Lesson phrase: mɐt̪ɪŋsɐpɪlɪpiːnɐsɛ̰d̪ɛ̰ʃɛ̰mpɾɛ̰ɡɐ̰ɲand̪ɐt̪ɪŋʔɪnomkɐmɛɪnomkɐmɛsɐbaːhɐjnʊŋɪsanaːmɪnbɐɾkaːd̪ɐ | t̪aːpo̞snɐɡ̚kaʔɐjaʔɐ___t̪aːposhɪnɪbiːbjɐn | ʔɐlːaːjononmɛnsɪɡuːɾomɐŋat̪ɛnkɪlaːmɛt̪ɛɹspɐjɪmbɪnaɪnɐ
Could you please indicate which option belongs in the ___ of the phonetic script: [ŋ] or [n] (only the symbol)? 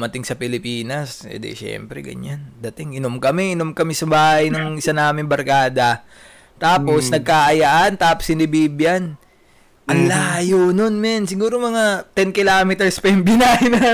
n